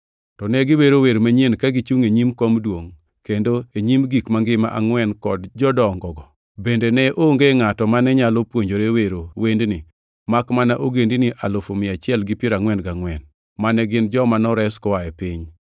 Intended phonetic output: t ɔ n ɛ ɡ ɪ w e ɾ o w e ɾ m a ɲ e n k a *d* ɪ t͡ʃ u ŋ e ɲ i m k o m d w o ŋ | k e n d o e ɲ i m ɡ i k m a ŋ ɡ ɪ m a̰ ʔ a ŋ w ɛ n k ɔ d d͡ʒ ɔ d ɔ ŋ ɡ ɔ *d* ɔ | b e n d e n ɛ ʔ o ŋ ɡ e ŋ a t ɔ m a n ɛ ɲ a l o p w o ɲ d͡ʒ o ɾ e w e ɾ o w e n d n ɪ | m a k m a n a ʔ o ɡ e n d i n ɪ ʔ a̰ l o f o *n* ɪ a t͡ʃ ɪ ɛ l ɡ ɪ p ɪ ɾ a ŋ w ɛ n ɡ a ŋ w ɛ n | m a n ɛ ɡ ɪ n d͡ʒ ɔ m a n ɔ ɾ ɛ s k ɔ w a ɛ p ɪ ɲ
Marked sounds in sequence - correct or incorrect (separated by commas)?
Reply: incorrect, incorrect, incorrect